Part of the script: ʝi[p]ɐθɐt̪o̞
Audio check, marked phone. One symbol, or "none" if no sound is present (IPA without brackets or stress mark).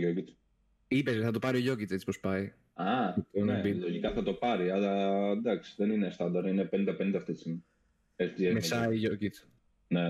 k